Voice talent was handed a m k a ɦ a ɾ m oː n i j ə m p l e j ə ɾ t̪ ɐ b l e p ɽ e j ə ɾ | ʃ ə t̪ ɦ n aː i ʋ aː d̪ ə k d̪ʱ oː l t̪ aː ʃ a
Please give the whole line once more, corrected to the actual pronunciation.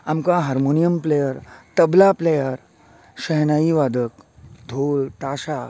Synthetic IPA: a m k a ɦ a ɾ m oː n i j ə m p l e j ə ɾ t̪ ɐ b l a p l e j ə ɾ | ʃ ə ɦ n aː i ʋ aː d̪ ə k d̪ʱ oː l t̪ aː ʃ a